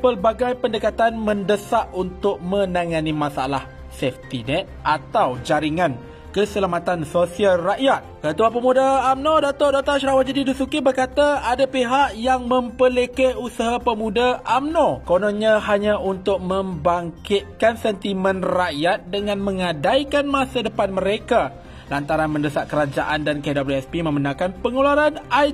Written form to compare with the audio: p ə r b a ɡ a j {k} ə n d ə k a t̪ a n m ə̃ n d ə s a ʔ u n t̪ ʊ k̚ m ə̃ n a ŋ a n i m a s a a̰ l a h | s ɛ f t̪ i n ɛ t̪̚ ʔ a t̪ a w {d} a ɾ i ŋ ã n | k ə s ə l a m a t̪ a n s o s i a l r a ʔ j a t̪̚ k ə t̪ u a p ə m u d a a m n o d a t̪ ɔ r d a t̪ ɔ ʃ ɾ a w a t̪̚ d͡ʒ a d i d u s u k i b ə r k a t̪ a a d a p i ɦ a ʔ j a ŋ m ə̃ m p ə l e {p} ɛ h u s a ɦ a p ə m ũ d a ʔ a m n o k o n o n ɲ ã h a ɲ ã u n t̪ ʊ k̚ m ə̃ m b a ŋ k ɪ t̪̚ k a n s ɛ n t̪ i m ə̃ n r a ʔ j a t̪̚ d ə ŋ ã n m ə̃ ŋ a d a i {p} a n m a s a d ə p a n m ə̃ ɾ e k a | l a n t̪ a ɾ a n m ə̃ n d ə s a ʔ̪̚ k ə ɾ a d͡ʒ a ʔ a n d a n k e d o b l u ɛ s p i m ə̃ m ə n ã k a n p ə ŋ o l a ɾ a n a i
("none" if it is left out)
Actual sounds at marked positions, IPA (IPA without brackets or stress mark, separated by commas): p, d͡ʒ, k, k